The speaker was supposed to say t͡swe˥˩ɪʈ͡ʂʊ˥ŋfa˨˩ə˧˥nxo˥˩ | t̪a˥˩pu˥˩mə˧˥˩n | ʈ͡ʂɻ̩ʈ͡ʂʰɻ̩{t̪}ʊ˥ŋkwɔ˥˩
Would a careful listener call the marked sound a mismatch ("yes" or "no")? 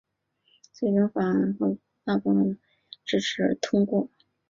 yes